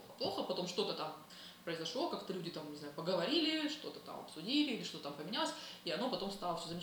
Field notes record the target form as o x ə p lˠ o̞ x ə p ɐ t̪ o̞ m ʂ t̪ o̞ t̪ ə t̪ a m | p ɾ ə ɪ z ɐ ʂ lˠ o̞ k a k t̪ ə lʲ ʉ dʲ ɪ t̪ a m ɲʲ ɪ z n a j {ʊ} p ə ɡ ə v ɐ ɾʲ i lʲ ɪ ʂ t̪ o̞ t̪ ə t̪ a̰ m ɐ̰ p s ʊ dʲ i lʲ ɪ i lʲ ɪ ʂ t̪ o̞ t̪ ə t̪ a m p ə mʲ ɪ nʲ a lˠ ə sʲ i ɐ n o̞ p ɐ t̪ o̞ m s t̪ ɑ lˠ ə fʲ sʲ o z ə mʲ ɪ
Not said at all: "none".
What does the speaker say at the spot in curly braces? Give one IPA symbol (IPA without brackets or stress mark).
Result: ʊ